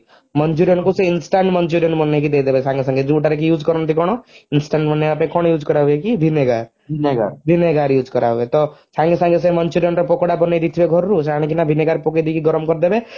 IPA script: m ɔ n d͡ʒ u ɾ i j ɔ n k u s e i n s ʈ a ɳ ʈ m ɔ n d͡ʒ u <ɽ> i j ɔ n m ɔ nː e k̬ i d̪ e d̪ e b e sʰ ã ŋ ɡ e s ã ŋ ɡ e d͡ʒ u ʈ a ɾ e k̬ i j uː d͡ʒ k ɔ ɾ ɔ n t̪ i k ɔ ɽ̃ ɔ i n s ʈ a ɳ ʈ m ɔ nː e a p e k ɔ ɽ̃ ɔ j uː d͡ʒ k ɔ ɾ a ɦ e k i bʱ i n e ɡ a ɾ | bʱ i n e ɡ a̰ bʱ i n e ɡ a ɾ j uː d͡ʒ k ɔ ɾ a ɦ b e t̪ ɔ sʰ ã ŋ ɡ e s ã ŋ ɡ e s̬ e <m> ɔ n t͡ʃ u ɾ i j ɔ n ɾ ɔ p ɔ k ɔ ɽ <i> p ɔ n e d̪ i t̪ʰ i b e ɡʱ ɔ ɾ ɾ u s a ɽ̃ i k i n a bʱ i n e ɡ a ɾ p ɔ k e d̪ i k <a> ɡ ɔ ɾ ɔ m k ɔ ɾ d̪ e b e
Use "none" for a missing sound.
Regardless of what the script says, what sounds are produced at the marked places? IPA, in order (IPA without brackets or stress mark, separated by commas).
ɾ, m, a, i